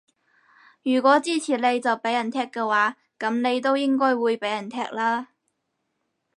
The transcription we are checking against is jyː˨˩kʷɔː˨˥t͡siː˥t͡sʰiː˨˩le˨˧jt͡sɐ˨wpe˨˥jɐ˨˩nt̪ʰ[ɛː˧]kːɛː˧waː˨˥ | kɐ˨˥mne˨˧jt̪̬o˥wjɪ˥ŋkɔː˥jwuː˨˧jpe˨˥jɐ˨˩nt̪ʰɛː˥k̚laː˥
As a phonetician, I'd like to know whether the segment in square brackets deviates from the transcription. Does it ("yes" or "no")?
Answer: yes